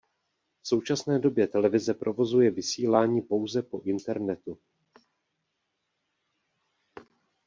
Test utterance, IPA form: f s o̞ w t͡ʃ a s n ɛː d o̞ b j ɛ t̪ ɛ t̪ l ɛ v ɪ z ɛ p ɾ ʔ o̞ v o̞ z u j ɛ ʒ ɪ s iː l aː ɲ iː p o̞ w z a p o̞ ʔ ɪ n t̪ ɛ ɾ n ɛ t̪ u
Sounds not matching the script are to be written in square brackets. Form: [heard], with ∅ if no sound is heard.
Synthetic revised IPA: f s o̞ w t͡ʃ a s n ɛː d o̞ b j ɛ t̪ ɛ [∅] l ɛ v ɪ z ɛ p ɾ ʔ o̞ v o̞ z u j ɛ [v] ɪ s iː l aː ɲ iː p o̞ w z [ɛ] p o̞ ʔ ɪ n t̪ ɛ ɾ n ɛ t̪ u

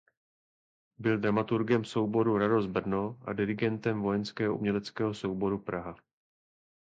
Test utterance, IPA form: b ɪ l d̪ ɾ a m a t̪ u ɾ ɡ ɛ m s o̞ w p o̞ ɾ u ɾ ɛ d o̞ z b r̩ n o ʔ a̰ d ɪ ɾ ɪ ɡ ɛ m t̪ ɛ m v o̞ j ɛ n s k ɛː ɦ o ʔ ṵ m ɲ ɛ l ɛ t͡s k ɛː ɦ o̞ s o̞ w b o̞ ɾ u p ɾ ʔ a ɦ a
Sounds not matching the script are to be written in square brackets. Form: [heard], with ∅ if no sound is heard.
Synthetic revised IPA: b ɪ l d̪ ɾ a m a t̪ u ɾ ɡ ɛ m s o̞ w [b] o̞ ɾ u ɾ [a] d o̞ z b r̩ n o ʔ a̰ d ɪ ɾ ɪ ɡ ɛ [n] t̪ ɛ m v o̞ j ɛ n s k ɛː ɦ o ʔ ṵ m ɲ ɛ l ɛ t͡s k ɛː ɦ o̞ s o̞ w b o̞ ɾ u p ɾ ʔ a ɦ a

